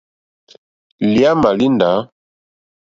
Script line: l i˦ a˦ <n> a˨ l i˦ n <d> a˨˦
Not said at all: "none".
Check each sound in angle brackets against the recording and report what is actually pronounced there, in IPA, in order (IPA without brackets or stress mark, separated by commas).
m, d